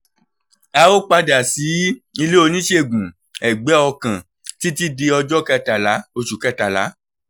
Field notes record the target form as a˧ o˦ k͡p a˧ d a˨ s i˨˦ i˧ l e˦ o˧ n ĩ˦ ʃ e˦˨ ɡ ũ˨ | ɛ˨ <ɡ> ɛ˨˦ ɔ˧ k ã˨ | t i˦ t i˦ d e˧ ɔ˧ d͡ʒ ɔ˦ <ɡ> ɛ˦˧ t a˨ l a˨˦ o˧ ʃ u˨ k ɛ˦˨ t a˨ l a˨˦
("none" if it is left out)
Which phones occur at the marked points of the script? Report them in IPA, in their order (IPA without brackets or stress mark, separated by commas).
ɡ͡b, k